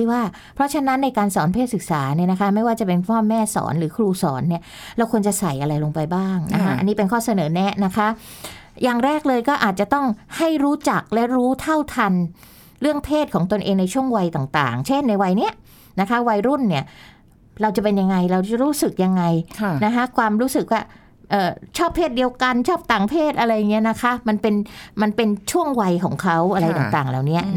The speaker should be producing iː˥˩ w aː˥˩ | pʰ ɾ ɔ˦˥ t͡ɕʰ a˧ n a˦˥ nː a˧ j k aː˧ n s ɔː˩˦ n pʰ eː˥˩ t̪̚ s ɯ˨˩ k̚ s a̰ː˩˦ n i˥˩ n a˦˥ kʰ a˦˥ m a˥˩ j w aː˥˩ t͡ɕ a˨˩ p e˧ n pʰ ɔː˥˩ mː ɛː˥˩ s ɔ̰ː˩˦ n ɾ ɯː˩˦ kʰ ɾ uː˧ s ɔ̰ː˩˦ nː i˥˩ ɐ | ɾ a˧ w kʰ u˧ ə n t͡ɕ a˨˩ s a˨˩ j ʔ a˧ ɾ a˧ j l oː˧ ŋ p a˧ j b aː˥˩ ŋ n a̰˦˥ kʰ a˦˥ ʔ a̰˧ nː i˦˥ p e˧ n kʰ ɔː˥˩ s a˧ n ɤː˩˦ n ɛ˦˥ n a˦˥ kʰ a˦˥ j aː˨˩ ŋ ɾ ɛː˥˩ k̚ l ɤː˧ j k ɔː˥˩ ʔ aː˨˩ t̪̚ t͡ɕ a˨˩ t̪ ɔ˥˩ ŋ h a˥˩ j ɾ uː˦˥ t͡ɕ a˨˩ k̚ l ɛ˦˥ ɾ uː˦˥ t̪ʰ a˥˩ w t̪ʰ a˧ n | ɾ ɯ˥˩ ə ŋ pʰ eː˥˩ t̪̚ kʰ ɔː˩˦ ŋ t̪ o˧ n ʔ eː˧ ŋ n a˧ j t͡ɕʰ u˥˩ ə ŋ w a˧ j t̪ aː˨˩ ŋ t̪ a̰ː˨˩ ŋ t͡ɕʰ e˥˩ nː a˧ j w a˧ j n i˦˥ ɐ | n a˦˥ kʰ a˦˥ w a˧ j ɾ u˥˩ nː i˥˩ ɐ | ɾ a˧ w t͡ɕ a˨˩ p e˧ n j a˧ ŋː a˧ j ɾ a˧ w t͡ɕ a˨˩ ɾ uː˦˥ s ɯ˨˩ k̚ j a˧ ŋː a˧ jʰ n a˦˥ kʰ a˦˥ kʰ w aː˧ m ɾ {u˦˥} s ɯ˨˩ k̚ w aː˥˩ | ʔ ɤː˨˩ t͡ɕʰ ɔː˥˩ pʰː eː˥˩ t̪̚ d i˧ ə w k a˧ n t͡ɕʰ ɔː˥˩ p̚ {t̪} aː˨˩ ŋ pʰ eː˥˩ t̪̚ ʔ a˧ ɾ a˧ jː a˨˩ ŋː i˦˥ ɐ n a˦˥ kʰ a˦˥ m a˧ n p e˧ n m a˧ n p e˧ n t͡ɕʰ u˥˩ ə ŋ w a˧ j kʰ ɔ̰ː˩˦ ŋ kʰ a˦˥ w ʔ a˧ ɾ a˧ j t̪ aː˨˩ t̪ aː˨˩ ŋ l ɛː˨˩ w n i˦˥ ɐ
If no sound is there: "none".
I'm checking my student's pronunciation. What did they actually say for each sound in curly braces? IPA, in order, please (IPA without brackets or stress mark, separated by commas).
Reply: uː˦˥, t̪